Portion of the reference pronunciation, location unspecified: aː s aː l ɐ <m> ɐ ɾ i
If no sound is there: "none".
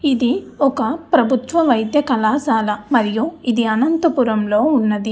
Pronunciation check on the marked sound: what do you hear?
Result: m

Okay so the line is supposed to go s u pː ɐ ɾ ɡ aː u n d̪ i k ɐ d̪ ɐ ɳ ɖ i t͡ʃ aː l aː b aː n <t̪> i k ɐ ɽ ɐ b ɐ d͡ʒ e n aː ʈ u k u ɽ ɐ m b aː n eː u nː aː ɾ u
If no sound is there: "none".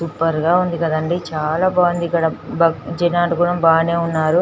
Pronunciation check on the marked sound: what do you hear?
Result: d̪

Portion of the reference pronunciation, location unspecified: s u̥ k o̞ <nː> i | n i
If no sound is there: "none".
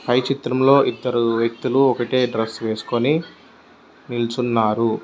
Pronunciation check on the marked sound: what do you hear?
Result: n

